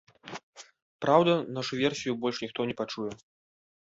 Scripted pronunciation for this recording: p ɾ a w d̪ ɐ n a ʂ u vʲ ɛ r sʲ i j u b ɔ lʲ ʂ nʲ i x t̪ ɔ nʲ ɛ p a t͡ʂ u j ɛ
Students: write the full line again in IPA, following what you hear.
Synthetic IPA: p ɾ a w d̪ ɐ n a ʂ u vʲ ɛ r sʲ i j u b ɔ lʲ ʂ nʲ i x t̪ ɔ nʲ ɛ p a t͡ʂ u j ɛ